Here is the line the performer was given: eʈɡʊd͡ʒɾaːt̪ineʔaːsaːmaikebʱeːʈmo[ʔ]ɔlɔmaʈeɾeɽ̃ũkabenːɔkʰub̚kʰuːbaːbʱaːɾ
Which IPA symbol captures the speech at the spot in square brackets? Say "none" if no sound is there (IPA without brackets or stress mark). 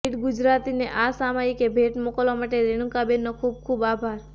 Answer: k